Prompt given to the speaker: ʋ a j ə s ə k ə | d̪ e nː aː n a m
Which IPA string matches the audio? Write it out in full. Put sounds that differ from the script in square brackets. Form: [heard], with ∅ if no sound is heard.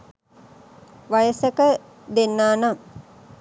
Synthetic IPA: ʋ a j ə s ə k ə | d̪ e nː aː n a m